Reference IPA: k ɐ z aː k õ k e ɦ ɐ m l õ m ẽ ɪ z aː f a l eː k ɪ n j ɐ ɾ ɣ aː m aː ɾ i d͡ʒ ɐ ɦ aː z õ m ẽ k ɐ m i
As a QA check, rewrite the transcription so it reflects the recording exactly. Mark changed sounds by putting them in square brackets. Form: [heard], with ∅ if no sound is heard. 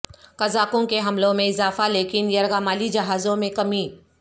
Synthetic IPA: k ɐ z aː k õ k e ɦ ɐ m l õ m ẽ ɪ z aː f a l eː k ɪ n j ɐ ɾ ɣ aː m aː [l] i d͡ʒ ɐ ɦ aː z õ m ẽ k ɐ m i